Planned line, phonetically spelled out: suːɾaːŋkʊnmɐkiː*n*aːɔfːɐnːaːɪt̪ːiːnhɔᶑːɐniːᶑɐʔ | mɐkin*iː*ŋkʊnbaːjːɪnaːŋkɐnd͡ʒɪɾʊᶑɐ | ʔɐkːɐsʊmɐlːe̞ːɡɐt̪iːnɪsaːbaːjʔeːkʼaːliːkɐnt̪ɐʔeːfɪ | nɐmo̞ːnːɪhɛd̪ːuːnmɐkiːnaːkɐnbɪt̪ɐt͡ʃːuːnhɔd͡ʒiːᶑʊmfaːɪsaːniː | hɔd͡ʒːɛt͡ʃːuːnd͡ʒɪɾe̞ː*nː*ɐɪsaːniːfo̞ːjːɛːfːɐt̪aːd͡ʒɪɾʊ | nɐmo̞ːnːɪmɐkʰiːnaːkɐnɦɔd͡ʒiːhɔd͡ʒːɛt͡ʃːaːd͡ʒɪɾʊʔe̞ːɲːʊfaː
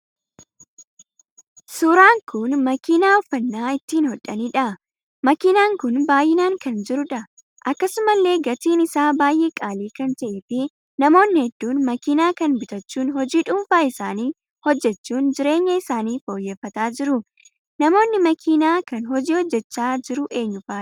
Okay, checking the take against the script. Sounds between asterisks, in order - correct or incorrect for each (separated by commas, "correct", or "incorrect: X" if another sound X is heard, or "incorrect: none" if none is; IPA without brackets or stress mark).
correct, incorrect: aː, incorrect: ɲː